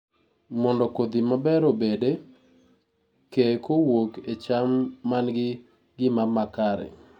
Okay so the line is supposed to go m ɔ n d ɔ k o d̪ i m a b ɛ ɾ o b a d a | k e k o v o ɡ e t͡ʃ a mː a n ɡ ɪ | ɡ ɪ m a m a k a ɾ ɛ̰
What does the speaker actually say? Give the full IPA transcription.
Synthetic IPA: m ɔ n d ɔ k o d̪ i m a b ɛ ɾ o b e d e | k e k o w o k e t͡ʃ a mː a n ɡ ɪ | ɡ ɪ m a m a k a ɾ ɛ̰